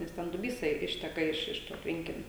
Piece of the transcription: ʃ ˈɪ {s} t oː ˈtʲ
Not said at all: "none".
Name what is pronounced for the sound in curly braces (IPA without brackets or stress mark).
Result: ʃ